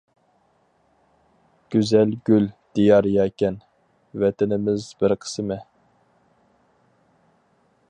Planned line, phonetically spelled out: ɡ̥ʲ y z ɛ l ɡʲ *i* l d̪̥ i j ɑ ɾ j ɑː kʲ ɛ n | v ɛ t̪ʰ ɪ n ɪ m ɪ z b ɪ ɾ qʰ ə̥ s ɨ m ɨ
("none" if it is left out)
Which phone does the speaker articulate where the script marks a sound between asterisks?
y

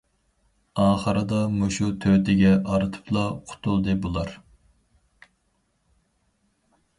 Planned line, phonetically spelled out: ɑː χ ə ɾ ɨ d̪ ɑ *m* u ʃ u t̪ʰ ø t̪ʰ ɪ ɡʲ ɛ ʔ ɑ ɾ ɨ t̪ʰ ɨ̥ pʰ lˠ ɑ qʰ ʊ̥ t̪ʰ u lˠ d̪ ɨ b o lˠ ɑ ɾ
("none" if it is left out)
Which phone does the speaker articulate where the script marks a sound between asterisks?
m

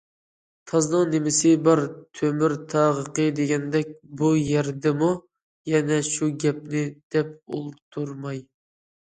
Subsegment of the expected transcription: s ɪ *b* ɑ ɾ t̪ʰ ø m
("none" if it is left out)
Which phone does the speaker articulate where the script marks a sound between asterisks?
b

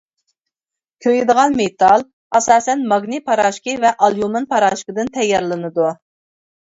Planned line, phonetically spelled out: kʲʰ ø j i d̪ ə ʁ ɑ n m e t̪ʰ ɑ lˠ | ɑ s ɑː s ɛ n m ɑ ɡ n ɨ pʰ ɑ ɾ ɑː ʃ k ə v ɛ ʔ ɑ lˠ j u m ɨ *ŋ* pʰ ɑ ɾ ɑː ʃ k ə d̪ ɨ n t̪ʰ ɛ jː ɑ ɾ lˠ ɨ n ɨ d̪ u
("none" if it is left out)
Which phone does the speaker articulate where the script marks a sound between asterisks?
n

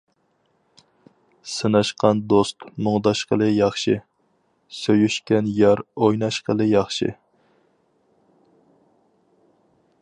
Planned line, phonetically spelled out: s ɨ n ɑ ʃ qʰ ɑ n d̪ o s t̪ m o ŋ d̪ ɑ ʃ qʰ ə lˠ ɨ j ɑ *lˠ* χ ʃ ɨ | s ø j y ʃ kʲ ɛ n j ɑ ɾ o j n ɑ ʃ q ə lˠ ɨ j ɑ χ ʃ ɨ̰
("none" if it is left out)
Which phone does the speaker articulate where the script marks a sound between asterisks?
none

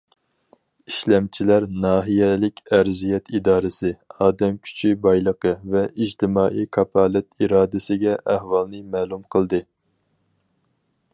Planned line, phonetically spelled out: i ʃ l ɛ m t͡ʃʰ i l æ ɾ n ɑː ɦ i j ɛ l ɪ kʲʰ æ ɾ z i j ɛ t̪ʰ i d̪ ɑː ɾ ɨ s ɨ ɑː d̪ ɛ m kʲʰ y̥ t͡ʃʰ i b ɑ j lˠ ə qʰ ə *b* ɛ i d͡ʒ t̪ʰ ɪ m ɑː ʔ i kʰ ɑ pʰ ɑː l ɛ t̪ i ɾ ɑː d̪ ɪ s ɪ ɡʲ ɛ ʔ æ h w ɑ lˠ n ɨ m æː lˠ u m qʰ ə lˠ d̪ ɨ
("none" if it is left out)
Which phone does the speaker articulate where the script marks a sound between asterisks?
v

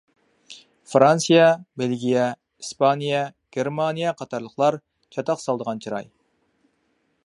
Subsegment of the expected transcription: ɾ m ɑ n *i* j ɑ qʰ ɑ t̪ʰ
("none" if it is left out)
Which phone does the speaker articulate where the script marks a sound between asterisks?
i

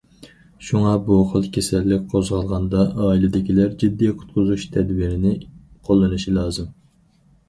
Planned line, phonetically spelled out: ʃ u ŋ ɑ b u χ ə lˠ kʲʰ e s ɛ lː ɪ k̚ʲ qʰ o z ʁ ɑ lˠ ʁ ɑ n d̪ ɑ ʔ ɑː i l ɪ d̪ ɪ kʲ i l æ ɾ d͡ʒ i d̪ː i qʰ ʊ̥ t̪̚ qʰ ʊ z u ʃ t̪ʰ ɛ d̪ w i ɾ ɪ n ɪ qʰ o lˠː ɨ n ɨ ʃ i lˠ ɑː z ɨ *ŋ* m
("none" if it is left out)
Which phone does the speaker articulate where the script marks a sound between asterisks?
none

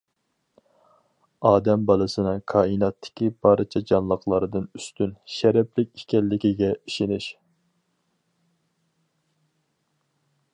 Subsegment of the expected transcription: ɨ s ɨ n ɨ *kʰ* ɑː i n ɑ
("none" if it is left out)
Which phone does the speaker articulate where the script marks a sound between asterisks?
kʰ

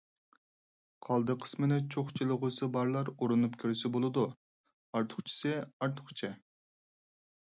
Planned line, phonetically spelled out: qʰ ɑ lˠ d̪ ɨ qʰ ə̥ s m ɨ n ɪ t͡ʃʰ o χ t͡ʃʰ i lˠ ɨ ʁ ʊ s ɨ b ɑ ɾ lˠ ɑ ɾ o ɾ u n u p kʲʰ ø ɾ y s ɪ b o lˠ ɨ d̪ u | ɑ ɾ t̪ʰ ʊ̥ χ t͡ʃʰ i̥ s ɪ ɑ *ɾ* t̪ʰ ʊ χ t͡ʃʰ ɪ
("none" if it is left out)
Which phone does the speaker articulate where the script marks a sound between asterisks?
ɾ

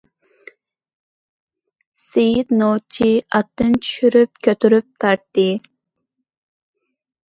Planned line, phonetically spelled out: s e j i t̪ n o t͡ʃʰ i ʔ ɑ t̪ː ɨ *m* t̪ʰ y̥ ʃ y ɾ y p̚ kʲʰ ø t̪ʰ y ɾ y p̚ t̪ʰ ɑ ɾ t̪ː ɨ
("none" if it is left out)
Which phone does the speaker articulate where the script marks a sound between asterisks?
n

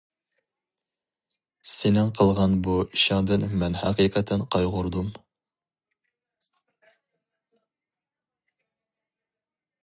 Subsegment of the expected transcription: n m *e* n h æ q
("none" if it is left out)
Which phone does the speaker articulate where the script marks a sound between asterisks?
ɛ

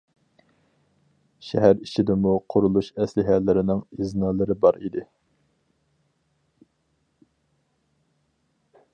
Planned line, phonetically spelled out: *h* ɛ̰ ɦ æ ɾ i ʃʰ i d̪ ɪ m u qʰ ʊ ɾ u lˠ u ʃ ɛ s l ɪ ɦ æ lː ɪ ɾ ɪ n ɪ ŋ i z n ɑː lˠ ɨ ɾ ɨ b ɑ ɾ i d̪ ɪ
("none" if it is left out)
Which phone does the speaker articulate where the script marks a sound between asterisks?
ʃ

